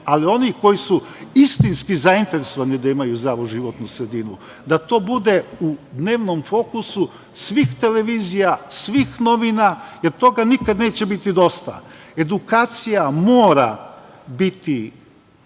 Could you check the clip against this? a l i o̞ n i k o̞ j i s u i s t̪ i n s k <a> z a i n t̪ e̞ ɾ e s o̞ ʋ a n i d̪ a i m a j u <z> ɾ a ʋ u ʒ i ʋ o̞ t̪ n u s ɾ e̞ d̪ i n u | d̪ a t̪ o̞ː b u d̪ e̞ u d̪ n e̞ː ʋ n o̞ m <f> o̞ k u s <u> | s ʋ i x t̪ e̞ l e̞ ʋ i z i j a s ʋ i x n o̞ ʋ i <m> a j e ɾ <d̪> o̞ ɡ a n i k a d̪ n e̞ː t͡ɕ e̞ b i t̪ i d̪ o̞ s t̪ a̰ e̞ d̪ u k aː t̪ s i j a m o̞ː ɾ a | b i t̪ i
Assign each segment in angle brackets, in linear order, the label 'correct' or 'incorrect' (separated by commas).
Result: incorrect, correct, correct, correct, incorrect, incorrect